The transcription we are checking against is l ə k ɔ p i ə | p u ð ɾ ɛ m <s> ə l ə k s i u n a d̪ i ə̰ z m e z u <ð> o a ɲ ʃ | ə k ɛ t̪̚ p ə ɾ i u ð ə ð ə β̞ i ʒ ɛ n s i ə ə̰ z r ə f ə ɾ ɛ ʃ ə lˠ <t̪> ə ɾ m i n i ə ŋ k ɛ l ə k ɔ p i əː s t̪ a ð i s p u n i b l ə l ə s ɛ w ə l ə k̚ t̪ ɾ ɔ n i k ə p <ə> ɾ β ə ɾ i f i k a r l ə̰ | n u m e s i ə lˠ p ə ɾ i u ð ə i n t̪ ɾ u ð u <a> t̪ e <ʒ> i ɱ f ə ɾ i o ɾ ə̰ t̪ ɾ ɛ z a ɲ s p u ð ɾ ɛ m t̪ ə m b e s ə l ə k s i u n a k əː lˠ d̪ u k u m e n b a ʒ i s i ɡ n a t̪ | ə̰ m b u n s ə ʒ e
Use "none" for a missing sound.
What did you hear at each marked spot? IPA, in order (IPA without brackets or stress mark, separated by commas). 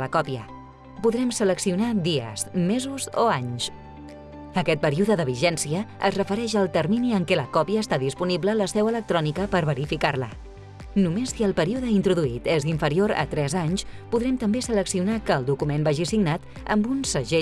s, z, t̪, ə, i, z